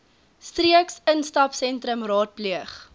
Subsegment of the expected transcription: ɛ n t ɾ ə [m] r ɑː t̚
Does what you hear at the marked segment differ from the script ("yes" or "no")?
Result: no